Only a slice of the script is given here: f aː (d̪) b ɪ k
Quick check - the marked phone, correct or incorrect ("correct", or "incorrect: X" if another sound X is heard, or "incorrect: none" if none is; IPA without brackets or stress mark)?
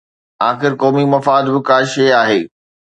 correct